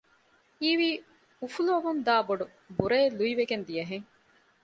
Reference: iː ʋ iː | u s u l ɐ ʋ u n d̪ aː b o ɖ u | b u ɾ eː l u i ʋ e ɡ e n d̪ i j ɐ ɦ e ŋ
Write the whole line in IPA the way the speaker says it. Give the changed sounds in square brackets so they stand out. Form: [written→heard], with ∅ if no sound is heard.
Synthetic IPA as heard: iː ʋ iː | u [s→f] u l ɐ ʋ u n d̪ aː b o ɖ u | b u ɾ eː l u i ʋ e ɡ e n d̪ i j ɐ ɦ e ŋ